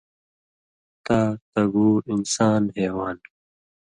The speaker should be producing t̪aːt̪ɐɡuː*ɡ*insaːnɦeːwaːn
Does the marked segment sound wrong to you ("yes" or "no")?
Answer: yes